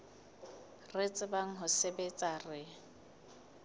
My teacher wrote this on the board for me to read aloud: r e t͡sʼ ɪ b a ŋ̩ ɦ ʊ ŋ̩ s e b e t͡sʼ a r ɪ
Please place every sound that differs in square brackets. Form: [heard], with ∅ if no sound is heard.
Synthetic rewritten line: r e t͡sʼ ɪ b a ŋ̩ ɦ ʊ [∅] s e b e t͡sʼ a r ɪ